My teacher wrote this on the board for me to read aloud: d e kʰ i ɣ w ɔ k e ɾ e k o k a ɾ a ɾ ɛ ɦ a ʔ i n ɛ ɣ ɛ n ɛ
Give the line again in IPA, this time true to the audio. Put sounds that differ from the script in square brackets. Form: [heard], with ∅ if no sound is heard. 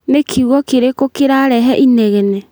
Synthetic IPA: [n] e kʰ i ɣ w ɔ k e ɾ e k o k [e] ɾ a ɾ ɛ ɦ [ɛ] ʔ i n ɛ ɣ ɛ n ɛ

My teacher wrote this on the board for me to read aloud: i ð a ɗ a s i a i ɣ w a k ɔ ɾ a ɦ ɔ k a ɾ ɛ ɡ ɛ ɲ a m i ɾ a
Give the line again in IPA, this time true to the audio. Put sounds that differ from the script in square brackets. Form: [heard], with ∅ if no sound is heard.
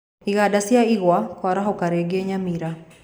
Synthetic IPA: i [ɣ] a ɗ a s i a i ɣ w a k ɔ ɾ a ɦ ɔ k a ɾ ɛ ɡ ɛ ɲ a m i ɾ a

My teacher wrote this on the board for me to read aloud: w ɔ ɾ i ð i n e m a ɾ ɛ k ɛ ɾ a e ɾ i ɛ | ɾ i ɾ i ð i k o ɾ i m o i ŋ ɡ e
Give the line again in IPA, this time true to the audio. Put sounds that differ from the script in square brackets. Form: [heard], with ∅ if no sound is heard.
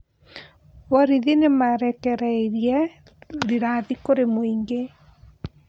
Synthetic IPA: w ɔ ɾ i ð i n e m a ɾ ɛ k ɛ ɾ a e ɾ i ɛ | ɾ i ɾ [a] ð i k o ɾ [e] m o i ŋ ɡ e

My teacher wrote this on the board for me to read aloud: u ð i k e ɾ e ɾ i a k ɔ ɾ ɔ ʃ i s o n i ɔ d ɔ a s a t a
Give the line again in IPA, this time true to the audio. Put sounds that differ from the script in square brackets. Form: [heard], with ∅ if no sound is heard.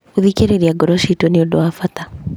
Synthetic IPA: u ð i k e ɾ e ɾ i a [ɡ] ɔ ɾ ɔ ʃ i [t] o n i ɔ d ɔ a [f] a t a

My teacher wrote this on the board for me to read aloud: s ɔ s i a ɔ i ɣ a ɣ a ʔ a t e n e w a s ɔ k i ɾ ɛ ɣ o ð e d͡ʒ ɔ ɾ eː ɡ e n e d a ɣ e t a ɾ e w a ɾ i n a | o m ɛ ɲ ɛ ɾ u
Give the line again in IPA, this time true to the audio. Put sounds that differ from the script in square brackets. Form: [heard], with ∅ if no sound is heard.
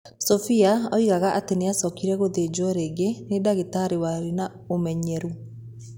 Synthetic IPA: s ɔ [f] i a ɔ i ɣ a ɣ a ʔ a t e n e [∅] a s ɔ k i ɾ ɛ ɣ o ð e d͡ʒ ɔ ɾ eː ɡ e n e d a ɣ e t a ɾ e w a ɾ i n a | o m ɛ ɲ ɛ ɾ u

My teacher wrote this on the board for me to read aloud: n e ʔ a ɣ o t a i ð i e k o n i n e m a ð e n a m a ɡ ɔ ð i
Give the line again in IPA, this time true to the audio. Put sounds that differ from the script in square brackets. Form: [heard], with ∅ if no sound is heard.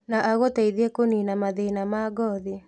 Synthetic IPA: n [a] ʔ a ɣ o t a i ð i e k o n i n [a] m a ð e n a m a ɡ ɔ ð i

